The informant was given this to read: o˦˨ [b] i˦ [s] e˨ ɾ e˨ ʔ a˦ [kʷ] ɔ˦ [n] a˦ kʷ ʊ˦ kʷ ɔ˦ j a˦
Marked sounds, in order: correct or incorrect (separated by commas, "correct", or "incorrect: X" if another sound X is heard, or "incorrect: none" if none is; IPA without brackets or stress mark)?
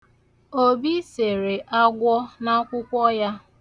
correct, correct, incorrect: ɡʷ, correct